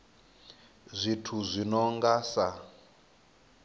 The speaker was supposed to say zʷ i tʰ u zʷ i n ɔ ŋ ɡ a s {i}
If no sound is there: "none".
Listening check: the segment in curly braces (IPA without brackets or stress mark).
a